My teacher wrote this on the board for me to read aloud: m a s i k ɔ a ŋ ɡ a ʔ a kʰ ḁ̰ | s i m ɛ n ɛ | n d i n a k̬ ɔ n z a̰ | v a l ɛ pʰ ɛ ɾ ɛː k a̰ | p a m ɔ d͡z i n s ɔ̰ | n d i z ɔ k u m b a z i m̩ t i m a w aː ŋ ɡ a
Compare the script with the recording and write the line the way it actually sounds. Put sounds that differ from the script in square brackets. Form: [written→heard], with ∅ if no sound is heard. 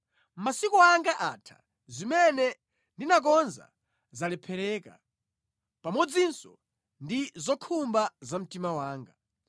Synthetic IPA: m a s i k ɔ a ŋ ɡ a ʔ a [kʰ→tʰ] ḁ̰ | [s→z] i m ɛ n ɛ | n d i n a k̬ ɔ n z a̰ | [v→z] a l ɛ pʰ ɛ ɾ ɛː k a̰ | p a m ɔ d͡z i n s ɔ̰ | n d i z ɔ [k→kʰ] u m b a z [i→a] m̩ t i m a w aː ŋ ɡ a